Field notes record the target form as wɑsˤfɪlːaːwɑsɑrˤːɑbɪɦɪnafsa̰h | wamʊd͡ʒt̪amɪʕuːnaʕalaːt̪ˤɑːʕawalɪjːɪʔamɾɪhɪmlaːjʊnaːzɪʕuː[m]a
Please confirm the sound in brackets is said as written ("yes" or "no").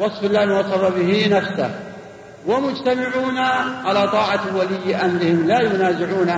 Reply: no